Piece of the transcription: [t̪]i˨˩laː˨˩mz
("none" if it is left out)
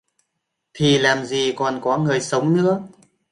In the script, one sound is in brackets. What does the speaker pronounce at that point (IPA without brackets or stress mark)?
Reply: t̪ʰ